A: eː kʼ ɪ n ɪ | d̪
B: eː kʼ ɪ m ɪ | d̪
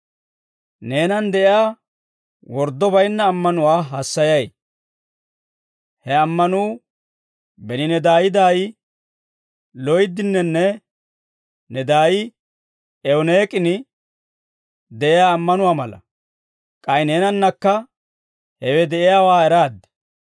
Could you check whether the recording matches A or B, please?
A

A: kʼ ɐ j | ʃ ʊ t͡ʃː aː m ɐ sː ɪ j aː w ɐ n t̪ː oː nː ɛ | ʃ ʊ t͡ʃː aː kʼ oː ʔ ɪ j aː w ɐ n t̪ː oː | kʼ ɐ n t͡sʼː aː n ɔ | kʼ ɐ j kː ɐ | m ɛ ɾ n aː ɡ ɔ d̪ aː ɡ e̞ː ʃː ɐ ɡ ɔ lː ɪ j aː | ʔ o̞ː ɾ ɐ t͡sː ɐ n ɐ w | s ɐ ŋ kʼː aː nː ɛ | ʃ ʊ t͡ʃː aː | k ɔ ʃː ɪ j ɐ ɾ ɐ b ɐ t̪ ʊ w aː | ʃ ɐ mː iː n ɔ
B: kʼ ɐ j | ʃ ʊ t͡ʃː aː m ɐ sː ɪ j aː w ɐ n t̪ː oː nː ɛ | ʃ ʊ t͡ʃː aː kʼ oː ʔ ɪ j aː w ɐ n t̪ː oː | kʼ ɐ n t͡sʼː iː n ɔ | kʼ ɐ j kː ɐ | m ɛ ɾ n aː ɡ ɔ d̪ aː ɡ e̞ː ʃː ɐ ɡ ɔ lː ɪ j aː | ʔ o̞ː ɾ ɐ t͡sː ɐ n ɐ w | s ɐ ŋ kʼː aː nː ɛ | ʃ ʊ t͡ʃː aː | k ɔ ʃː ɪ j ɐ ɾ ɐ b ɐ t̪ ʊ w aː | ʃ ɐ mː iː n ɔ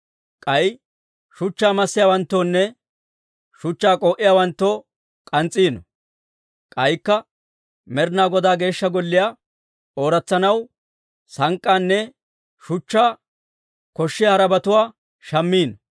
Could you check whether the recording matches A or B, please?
B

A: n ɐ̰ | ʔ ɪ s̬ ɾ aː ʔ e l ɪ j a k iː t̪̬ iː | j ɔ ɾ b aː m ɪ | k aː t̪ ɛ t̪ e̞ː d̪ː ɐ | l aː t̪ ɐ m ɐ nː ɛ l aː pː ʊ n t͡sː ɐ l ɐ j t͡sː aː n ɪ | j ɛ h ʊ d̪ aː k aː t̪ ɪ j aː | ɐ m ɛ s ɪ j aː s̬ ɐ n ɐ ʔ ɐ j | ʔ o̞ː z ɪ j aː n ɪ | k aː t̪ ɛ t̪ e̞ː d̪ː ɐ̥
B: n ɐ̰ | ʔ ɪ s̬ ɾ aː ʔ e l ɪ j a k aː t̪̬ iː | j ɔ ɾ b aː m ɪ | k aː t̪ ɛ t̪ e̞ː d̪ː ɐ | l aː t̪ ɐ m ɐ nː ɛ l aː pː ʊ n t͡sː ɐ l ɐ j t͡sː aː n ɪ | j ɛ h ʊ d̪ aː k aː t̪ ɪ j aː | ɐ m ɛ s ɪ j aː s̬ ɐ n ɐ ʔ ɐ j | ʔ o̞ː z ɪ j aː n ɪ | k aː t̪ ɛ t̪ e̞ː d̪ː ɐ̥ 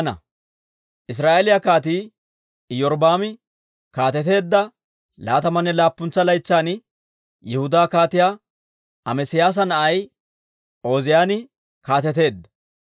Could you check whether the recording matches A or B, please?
B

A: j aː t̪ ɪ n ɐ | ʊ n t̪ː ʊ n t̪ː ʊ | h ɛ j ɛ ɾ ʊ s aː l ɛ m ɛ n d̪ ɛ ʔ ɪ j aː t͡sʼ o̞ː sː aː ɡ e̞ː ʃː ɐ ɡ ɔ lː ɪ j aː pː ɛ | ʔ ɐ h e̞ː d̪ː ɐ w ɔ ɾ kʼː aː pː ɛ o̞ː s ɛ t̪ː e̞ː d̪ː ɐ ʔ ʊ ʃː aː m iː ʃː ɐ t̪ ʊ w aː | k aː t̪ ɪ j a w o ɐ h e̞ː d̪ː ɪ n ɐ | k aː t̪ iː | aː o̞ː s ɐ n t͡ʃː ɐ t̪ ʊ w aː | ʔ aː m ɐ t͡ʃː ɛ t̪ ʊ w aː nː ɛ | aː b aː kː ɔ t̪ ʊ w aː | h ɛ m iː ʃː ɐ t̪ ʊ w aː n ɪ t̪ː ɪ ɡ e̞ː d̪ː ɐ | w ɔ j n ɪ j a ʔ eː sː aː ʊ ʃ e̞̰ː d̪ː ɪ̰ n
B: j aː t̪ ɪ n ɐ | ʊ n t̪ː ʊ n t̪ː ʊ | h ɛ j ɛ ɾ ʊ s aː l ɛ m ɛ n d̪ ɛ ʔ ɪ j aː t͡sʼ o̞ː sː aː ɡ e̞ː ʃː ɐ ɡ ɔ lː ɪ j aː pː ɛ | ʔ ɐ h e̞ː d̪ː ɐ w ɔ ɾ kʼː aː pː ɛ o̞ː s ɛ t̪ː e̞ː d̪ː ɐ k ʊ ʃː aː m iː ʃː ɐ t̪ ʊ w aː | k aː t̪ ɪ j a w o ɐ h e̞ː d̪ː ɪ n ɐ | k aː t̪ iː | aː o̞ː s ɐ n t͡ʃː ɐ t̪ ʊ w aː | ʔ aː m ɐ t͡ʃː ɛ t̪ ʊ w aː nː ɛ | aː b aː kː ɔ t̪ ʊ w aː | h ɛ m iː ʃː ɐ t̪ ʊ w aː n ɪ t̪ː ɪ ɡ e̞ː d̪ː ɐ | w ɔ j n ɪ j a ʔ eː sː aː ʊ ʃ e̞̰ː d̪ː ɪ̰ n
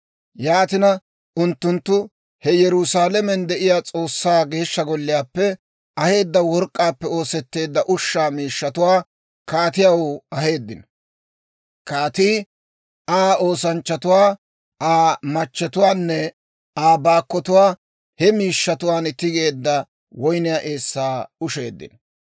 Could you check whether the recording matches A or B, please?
A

